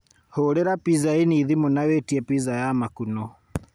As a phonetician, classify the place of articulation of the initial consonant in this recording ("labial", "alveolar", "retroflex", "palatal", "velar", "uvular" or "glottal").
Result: glottal